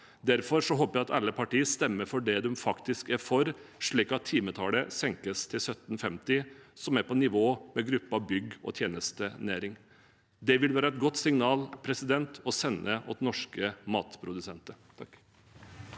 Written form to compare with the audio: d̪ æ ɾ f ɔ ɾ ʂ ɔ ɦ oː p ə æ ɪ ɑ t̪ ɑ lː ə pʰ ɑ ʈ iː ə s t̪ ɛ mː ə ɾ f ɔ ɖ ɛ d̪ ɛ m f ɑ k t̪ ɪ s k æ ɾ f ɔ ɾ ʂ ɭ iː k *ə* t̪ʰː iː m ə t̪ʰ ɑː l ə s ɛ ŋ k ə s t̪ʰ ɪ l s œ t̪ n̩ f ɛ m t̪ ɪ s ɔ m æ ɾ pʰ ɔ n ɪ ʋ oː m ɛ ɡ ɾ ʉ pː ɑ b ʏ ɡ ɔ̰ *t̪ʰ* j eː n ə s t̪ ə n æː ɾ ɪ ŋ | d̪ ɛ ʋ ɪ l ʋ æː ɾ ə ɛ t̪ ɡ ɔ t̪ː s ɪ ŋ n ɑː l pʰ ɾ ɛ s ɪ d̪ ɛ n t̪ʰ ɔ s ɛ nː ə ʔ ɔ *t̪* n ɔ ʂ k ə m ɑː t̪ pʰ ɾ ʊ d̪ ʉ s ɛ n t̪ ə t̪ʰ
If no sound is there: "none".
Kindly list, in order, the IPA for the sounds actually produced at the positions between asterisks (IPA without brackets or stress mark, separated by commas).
ɑ, t̪ʰ, t̪